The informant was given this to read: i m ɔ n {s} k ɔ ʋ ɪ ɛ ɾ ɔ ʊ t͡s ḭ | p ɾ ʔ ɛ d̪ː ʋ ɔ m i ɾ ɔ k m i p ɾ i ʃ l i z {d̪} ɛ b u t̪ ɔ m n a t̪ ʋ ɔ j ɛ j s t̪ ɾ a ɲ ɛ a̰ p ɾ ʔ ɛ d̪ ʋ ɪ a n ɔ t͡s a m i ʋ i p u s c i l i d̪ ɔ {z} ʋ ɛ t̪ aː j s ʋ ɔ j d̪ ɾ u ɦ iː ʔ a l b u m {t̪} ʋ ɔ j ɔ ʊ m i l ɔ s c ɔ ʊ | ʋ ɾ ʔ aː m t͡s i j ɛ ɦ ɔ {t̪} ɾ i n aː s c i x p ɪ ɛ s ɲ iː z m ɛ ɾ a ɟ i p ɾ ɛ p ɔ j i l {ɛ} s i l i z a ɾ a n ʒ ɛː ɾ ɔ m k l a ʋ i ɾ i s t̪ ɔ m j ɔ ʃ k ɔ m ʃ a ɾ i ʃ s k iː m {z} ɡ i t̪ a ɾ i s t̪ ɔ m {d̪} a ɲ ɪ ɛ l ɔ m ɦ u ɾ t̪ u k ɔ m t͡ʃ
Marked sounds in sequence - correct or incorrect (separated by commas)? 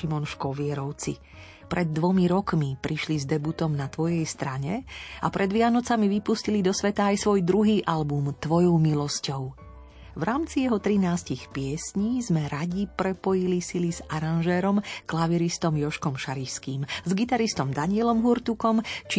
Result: incorrect, correct, incorrect, correct, correct, incorrect, correct, correct